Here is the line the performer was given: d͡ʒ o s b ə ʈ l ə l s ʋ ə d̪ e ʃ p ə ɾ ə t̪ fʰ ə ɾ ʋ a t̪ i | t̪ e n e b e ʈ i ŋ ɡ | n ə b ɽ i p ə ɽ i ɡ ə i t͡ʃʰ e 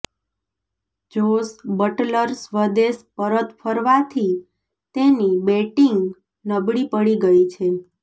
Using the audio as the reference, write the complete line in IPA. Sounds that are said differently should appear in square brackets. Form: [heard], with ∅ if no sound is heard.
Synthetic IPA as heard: d͡ʒ o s b ə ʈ l ə [ɾ] s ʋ ə d̪ e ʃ p ə ɾ ə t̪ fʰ ə ɾ ʋ a [t̪ʰ] i | t̪ e n [i] b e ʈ i ŋ ɡ | n ə b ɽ i p ə ɽ i ɡ ə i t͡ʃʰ e

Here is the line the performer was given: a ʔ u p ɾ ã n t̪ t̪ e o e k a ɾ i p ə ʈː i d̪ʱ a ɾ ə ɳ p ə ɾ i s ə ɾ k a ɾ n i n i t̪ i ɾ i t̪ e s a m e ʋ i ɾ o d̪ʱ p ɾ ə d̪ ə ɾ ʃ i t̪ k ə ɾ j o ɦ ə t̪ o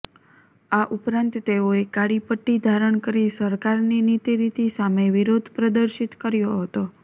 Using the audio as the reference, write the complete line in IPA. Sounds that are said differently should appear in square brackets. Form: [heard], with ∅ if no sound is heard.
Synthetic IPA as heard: a ʔ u p ɾ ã n t̪ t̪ e o e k a [ɽ] i p ə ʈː i d̪ʱ a ɾ ə ɳ [k] ə ɾ i s ə ɾ k a ɾ n i n i t̪ i ɾ i t̪ [i] s a m e ʋ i ɾ o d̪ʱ p ɾ ə d̪ ə ɾ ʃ i t̪ k ə ɾ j o ɦ ə t̪ o

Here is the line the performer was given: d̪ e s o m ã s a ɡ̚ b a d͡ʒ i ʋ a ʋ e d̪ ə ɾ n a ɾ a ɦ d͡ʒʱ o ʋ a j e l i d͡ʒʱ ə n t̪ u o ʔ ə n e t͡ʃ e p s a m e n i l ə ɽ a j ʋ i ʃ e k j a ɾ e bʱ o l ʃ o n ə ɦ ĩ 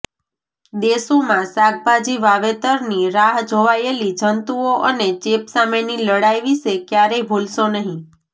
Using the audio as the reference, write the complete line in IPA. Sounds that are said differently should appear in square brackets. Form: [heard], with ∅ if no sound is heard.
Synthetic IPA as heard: d̪ e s o m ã s a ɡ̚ b a d͡ʒ i ʋ a ʋ e [t̪] ə ɾ n [i] ɾ a ɦ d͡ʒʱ o ʋ a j e l i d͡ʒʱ ə n t̪ u o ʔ ə n e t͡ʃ e p s a m e n i l ə ɽ a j ʋ i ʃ e k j a ɾ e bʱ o l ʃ o n ə ɦ ĩ

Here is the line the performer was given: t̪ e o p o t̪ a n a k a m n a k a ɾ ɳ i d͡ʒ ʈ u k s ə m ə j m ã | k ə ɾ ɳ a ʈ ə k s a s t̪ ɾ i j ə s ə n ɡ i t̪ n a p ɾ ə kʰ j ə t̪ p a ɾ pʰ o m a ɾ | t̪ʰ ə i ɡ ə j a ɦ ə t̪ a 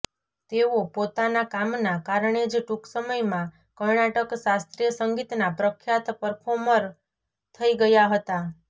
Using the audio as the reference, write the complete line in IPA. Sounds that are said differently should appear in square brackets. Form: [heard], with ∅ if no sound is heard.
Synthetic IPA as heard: t̪ e o p o t̪ a n a k a m n a k a ɾ ɳ [e] d͡ʒ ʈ u k s ə m ə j m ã | k ə ɾ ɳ a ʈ ə k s a s t̪ ɾ i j ə s ə [ŋ] ɡ i t̪ n a p ɾ ə kʰ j [a] t̪ p [ə] ɾ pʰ o m [ə] ɾ | t̪ʰ ə i ɡ ə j a ɦ ə t̪ a

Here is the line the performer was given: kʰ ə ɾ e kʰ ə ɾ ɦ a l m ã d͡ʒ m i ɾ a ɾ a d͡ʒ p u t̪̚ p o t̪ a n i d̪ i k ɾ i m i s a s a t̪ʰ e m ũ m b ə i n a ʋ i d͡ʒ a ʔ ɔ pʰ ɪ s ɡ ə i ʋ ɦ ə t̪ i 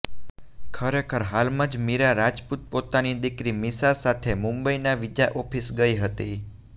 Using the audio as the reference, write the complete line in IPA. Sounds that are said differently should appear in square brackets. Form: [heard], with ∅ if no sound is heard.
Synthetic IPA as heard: kʰ ə ɾ e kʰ ə ɾ ɦ a l m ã d͡ʒ m i ɾ a ɾ a d͡ʒ p u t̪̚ p o t̪ a n i d̪ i k ɾ i m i s a s a t̪ʰ e m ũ m b ə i n a ʋ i d͡ʒ a ʔ ɔ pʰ [i] s ɡ ə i [∅] ɦ ə t̪ i

